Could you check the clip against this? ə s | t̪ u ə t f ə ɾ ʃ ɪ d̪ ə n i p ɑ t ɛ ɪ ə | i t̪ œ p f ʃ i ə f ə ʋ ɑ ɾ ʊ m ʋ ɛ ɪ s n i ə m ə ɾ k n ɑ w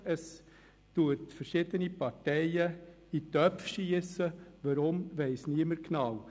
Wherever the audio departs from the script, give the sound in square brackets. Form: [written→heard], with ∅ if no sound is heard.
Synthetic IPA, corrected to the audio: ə s | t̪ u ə t f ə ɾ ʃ ɪ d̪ ə n i p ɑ t ɛ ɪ ə | i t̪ œ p f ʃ i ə [f→s] ə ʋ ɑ ɾ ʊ m ʋ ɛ ɪ s n i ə m ə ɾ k n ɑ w